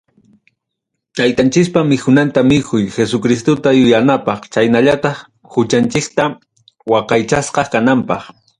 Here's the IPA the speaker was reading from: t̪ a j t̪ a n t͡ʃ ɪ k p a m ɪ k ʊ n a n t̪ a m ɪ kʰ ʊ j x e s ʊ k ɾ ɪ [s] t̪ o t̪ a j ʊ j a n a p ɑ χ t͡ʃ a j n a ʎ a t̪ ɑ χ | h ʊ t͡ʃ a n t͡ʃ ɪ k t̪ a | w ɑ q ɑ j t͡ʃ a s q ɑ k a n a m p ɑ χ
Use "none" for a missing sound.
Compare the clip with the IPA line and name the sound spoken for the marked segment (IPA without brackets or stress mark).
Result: s